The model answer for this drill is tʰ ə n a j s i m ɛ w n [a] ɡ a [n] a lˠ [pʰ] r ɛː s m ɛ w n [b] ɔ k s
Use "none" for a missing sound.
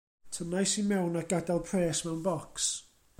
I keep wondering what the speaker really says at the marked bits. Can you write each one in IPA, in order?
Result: a, d, pʰ, v

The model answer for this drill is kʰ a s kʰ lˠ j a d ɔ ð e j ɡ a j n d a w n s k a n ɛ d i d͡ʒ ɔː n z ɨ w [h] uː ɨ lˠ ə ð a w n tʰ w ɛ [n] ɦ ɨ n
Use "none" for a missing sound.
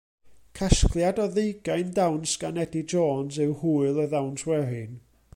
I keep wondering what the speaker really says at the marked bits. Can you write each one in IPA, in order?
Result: h, none

